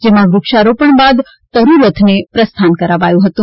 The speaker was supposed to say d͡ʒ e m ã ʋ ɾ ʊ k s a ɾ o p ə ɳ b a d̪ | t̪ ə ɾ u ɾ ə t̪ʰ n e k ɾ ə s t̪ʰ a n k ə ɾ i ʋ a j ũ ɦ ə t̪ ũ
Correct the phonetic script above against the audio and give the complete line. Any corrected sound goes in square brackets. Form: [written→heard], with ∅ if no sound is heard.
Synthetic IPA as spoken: d͡ʒ e m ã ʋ ɾ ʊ k [s→ʃ] a ɾ o p ə ɳ b a d̪ | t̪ ə ɾ u ɾ ə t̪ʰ n e [k→p] ɾ ə s t̪ʰ a n k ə ɾ [i→a] ʋ a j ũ ɦ ə t̪ ũ